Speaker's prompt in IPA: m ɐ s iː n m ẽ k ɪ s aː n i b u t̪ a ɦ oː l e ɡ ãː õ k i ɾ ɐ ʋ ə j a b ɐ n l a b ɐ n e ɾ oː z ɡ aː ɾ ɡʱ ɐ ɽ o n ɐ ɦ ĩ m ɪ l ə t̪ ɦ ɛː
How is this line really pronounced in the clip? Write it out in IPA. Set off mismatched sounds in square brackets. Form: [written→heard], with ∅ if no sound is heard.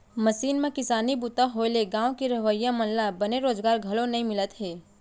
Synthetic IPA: m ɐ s iː n m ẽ k ɪ s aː n i b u t̪ a ɦ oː l e ɡ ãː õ k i ɾ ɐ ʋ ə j a [b→m] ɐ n l a b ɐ n e ɾ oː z ɡ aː ɾ ɡʱ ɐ [ɽ→l] o n ɐ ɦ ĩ m ɪ l ə t̪ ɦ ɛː